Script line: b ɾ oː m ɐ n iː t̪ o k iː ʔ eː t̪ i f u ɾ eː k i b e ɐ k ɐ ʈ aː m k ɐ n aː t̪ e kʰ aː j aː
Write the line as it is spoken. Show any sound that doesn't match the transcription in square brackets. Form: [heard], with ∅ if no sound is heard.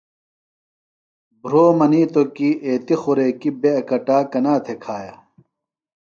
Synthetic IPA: b ɾ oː m ɐ n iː t̪ o k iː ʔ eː t̪ i [x] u ɾ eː k i b e ɐ k ɐ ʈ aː [∅] k ɐ n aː [t̪ʰ] e kʰ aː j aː